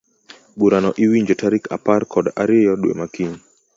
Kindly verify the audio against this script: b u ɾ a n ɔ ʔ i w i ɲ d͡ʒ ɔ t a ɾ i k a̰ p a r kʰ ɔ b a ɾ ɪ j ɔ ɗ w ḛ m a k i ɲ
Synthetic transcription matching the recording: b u ɾ a n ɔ ʔ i w i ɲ d͡ʒ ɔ t a ɾ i k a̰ p a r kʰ ɔ d a ɾ ɪ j ɔ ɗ w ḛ m a k i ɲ